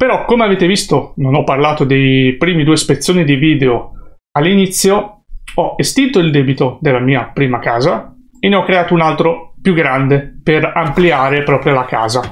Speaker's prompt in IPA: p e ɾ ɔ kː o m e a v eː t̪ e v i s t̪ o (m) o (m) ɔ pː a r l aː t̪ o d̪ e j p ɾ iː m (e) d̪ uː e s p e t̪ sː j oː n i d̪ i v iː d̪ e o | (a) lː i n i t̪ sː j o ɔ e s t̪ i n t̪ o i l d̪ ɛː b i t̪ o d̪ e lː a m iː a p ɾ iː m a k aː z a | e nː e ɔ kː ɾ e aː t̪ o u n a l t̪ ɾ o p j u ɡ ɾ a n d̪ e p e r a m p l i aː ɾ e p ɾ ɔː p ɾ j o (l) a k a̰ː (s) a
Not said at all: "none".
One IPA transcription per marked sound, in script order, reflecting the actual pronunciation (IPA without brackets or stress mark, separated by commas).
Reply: n, n, i, a, l, z